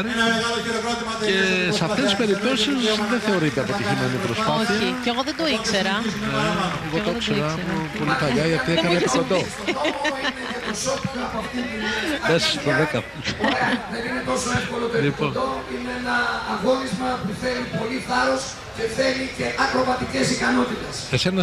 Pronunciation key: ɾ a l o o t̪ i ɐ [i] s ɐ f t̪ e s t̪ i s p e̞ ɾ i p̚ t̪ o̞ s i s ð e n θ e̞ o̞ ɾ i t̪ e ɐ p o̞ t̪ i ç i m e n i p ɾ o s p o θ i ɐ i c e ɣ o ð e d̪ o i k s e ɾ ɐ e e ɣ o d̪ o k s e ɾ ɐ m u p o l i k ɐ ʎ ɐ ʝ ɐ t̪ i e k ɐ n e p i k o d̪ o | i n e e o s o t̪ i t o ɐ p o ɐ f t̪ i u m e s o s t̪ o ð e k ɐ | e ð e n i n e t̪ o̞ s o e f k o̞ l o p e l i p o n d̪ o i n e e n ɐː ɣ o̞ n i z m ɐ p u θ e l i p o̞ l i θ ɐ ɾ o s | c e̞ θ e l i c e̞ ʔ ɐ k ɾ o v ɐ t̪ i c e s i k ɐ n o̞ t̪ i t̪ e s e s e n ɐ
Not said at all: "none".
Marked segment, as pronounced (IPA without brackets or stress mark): e